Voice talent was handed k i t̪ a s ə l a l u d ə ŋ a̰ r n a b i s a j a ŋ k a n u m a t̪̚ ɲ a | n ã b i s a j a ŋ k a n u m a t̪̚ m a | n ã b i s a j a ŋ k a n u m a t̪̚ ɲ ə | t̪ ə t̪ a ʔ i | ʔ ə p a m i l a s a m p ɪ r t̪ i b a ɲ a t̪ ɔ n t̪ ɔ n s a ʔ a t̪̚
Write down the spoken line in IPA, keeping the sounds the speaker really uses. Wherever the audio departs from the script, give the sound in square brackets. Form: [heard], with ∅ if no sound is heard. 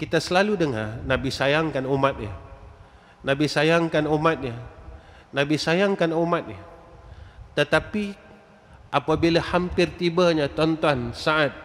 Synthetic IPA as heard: k i t̪ a s ə l a l u d ə ŋ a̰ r n a b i s a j a ŋ k a n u m a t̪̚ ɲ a | n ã b i s a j a ŋ k a n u m a t̪̚ [ɲ] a | n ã b i s a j a ŋ k a n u m a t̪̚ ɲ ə | t̪ ə t̪ a [p] i | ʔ [a] p a [b] i l a [h] a m p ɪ r t̪ i b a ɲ a t̪ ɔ n t̪ ɔ n s a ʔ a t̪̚